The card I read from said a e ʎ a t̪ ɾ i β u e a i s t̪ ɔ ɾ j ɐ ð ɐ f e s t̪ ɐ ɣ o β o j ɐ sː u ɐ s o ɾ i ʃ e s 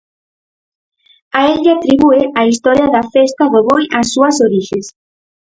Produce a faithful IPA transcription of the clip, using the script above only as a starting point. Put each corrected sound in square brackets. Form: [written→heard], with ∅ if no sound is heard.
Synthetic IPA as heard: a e ʎ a t̪ ɾ i β u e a i s t̪ ɔ ɾ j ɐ ð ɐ f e s t̪ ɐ [ɣ→ð] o β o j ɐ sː u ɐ s o ɾ i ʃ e s